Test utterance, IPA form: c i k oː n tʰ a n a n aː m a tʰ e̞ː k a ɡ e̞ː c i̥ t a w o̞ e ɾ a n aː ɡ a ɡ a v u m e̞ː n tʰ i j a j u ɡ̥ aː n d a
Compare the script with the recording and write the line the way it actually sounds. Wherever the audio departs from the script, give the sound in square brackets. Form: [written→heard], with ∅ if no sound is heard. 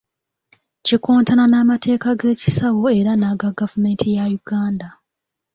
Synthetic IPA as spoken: c i k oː n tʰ a n a n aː m a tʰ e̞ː k a ɡ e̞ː c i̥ [t→s] a w o̞ e ɾ a n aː ɡ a ɡ a v u m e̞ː n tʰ i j a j u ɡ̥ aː n d a

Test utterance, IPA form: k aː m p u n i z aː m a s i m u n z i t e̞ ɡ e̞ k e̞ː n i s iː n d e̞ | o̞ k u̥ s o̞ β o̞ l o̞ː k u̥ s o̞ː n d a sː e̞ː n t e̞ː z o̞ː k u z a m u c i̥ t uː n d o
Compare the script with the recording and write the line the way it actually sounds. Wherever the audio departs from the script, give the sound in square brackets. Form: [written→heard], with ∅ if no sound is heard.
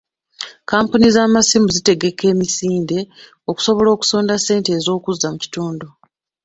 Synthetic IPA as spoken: k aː m p u n i z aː m a s i m u [n→∅] z i t e̞ ɡ e̞ k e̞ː [n→m] i s iː n d e̞ | o̞ k u̥ s o̞ β o̞ l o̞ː k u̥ s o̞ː n d a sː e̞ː n t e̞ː z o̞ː k u z a m u c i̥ t uː n d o

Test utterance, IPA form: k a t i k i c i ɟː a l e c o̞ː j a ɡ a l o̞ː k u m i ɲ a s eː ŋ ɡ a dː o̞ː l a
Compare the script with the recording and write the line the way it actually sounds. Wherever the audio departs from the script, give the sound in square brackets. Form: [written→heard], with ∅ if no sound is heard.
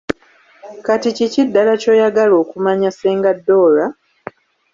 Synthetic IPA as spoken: k a t i [k→c] i c i [ɟː→dː] a l [e→a] c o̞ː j a ɡ a l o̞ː k u m [i→a] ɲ a s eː ŋ ɡ a dː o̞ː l a

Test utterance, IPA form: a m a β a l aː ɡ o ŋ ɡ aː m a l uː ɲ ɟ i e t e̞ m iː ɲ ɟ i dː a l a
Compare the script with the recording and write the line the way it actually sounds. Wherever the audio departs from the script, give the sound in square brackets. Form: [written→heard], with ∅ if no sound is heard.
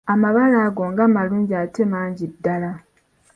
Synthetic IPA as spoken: a m a β a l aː ɡ o ŋ ɡ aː m a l uː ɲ ɟ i [e→a] t e̞ m [iː→aː] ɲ ɟ i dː a l a

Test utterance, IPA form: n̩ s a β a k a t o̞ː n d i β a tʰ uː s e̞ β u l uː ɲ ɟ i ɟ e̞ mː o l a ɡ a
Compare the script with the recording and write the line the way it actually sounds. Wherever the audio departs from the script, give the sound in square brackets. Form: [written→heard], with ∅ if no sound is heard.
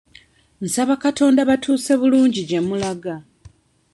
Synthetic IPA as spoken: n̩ s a β a k a t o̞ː n d [i→a] β a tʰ uː s e̞ β u l uː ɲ ɟ i ɟ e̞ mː [o→u] l a ɡ a

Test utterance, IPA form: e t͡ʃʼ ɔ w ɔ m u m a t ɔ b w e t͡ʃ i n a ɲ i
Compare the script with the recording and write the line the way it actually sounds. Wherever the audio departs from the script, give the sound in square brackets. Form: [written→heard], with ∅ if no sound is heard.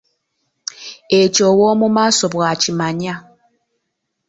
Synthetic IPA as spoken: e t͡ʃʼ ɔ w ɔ m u m a [t→s] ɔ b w [e→a] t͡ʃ i [n→m] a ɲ [i→a]

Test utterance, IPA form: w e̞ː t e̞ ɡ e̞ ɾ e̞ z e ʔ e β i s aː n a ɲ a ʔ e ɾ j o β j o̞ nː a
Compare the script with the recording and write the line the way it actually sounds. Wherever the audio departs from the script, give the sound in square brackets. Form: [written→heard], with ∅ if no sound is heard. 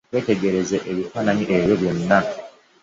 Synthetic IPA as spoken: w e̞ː t e̞ ɡ e̞ ɾ e̞ z e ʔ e β i [s→f] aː n a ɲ [a→i] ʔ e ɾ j o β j o̞ nː a

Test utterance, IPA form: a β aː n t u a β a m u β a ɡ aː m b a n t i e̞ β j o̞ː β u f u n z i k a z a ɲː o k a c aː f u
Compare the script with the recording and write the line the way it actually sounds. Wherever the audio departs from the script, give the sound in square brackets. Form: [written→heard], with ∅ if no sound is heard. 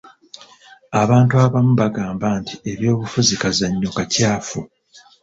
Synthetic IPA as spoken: a β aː n t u a β a m u β a ɡ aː m b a n t i e̞ β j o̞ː β u f u [n→∅] z i k a z a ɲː o k a c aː f u

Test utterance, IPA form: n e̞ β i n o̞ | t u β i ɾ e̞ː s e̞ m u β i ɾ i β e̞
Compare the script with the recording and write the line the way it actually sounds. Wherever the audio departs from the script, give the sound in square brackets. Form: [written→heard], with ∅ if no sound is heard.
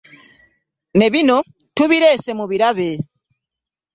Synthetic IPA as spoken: n e̞ β i n o̞ | t u β i ɾ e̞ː s e̞ m u β i ɾ [i→a] β e̞

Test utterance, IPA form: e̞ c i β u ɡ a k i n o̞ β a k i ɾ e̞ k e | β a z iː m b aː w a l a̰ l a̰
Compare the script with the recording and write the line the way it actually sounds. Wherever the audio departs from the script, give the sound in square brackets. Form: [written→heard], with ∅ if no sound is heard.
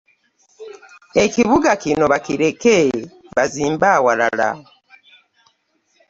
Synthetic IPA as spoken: e̞ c i β u ɡ a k i n o̞ β a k i ɾ e̞ k e | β a z iː m b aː w a l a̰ l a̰

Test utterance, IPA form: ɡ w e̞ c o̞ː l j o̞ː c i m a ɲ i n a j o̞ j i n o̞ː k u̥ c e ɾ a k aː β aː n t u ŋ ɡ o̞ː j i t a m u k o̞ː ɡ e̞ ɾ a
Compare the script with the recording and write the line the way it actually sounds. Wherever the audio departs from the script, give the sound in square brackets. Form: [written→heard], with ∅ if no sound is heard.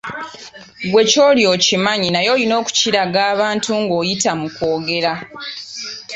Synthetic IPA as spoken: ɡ w e̞ c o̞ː l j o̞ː c i m a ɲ i n a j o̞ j i n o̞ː k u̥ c [e→i] ɾ a [k→ɡ] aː β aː n t u ŋ ɡ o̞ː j i t a m u k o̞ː ɡ e̞ ɾ a

